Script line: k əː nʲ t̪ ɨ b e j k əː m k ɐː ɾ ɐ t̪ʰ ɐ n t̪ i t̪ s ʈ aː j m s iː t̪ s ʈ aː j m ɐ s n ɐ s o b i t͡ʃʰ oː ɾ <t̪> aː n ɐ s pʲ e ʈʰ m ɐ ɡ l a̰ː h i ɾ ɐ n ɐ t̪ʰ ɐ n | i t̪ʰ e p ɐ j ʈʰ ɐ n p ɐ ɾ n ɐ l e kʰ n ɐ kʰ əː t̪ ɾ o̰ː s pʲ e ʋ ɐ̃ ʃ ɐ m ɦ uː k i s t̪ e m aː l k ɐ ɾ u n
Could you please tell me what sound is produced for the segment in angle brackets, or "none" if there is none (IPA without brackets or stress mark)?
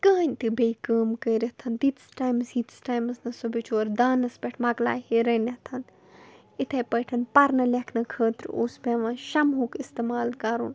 d̪